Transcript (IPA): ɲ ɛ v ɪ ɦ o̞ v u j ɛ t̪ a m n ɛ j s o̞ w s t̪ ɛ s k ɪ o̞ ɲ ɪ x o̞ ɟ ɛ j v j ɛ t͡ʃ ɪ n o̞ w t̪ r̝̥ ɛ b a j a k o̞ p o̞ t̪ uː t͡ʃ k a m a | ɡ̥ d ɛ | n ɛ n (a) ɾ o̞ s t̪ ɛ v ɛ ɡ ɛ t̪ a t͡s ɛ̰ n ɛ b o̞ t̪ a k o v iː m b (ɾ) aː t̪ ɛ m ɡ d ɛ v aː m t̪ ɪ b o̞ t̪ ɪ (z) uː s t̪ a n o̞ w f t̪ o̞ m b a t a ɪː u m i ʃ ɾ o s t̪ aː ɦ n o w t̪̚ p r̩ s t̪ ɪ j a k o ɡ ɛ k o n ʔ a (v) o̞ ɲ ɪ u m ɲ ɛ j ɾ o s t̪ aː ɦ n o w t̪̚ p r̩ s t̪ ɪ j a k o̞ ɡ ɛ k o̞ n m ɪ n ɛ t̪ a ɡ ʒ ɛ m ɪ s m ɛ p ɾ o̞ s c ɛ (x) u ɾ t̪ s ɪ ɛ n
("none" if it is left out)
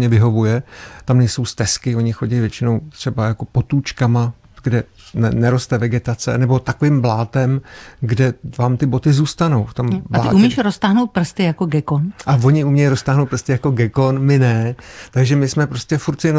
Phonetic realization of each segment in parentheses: ɛ, l, z, v, f

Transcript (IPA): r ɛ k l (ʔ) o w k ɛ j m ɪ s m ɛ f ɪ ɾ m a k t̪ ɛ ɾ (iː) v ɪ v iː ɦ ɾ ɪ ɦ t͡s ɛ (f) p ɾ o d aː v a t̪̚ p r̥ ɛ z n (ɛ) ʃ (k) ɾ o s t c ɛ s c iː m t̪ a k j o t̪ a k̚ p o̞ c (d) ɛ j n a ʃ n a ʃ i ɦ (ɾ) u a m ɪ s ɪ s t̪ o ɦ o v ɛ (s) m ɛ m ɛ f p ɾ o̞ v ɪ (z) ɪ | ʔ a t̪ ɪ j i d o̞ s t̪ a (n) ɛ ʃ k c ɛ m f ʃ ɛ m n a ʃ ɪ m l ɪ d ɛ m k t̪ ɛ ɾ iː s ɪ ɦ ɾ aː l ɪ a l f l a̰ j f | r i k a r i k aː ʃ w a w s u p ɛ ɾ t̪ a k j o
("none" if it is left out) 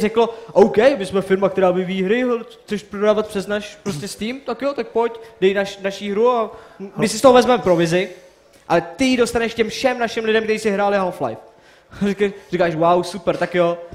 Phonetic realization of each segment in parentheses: ʔ, aː, ʃ, a, p, d, ɾ, z, z, n

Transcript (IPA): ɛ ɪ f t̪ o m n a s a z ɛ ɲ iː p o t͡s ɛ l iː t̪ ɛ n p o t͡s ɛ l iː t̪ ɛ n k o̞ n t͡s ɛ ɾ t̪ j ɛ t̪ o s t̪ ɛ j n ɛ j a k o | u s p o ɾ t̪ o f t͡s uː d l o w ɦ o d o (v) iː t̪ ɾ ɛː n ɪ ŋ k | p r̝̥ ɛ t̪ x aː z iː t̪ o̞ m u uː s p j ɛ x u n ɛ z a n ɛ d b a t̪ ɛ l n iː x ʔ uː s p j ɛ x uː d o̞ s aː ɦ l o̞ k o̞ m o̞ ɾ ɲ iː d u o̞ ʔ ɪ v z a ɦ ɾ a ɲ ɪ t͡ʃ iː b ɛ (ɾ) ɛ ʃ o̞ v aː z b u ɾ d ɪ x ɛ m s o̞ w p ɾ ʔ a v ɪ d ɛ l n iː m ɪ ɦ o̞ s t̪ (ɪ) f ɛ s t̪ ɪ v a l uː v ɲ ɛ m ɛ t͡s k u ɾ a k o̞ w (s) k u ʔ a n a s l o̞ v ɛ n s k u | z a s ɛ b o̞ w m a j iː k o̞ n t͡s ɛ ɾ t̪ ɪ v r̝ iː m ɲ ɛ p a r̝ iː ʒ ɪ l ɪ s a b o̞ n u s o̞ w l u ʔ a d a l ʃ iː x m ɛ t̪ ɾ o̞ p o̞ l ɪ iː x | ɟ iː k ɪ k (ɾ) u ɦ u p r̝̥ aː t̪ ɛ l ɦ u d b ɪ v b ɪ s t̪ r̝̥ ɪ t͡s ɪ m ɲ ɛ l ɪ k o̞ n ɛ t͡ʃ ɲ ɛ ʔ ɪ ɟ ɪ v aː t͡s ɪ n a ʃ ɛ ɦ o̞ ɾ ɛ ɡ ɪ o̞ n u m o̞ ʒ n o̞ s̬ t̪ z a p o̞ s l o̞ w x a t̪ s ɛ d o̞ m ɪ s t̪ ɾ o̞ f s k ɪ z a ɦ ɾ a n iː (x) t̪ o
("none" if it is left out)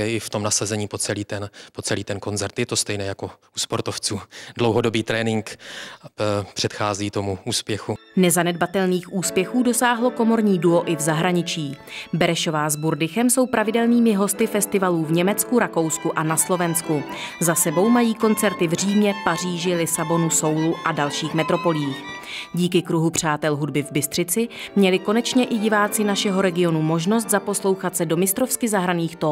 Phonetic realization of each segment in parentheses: b, ɾ, ɪ, s, ɾ, x

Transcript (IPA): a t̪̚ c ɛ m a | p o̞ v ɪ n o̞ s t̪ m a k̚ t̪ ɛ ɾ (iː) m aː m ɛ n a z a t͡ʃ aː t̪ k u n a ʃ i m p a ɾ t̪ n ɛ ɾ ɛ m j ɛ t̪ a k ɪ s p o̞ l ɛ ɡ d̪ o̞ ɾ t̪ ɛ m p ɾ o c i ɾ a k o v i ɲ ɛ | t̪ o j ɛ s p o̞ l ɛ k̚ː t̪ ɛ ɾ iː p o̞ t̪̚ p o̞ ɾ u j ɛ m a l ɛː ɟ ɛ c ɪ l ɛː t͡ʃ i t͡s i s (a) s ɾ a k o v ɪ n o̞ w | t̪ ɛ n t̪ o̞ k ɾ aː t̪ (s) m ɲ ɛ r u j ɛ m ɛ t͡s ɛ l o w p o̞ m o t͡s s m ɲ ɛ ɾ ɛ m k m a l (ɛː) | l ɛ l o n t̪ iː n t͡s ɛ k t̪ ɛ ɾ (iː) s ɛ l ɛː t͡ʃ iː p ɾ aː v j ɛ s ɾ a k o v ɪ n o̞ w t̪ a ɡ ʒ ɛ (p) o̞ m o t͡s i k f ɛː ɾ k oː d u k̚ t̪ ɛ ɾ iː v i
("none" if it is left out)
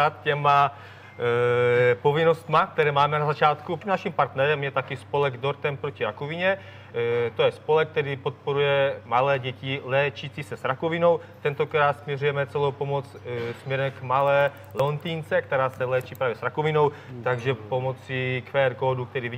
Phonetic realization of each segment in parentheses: ɛː, ɛ, s, ɛː, aː, p

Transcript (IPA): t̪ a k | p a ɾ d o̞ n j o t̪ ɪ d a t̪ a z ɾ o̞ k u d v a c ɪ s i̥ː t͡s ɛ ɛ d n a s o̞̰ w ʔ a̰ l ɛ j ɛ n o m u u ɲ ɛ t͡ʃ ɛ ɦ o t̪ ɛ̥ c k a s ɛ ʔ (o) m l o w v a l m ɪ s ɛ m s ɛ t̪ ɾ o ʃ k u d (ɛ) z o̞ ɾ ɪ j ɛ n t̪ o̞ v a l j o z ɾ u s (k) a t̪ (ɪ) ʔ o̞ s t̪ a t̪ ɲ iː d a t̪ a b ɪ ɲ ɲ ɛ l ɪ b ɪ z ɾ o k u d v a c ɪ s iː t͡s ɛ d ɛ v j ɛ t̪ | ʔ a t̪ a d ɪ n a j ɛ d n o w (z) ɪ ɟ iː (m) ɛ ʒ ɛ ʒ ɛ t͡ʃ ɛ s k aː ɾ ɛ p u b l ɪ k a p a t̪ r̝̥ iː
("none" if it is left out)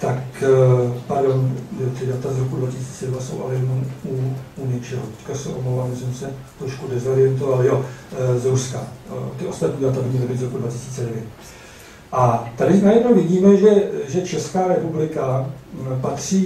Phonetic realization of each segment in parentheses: o, ɛ, k, ɪ, v, m

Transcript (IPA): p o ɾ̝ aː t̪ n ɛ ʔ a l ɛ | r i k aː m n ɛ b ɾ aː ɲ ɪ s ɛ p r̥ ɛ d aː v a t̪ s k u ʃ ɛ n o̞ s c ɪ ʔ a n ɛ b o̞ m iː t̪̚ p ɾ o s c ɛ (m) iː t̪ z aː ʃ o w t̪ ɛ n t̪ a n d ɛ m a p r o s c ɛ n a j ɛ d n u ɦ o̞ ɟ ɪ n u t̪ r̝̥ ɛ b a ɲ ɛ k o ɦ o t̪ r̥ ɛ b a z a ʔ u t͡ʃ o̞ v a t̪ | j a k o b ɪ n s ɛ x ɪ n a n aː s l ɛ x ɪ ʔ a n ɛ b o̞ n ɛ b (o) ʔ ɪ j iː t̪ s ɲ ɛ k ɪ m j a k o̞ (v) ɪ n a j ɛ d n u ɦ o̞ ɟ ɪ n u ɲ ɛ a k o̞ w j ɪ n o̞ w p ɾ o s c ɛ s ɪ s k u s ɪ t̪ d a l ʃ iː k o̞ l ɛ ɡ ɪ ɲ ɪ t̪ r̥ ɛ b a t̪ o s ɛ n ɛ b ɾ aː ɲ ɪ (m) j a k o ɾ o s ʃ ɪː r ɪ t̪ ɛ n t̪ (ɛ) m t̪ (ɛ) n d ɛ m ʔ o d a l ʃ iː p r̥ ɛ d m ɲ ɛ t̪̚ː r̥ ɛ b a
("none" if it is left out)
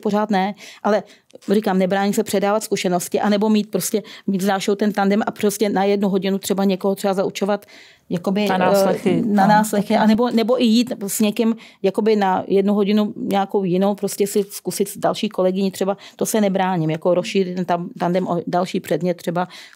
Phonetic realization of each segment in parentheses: m, o, b, m, a, a

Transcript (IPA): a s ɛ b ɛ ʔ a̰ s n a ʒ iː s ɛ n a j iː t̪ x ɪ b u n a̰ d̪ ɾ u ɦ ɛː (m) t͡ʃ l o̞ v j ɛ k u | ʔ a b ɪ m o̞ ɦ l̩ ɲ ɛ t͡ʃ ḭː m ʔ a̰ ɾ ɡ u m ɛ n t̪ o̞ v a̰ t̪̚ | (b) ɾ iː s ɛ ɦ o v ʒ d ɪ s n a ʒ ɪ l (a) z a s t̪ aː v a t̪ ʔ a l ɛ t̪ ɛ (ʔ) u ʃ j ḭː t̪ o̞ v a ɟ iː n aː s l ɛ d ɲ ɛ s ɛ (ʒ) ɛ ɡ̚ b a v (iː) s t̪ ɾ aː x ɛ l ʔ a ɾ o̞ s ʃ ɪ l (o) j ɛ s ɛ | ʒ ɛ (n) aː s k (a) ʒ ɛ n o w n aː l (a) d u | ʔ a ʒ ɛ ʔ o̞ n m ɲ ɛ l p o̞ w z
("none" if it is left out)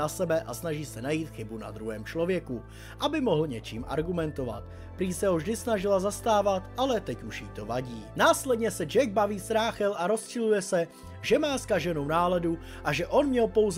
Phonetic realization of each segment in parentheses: m, p, a, c, d͡ʒ, iː, u, m, a, ɛ

